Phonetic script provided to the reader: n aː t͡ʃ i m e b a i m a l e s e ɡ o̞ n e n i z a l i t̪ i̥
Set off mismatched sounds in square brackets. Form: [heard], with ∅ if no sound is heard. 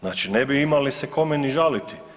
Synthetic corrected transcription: n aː t͡ʃ i [n] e b [i] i m a l [i] s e [k] o̞ [m] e n i [ʒ] a l i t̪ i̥